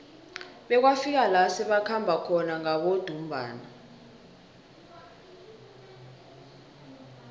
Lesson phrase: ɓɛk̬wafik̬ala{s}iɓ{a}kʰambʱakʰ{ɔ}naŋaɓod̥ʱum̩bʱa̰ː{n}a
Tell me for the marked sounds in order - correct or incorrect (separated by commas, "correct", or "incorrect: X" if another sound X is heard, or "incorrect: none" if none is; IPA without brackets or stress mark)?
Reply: correct, correct, correct, correct